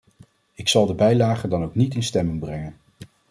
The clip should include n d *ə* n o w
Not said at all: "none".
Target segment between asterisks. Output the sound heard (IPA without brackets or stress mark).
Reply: ɑ